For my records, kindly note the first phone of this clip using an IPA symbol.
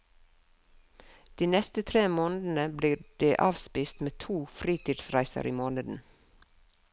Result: d̪̥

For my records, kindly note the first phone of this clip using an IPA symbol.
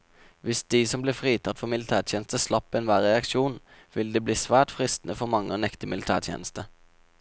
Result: ʋ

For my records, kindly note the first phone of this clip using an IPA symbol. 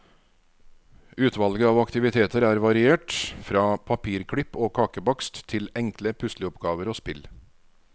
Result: ʉː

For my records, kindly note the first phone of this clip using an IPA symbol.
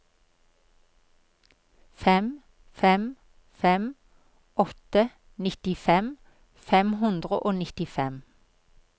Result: f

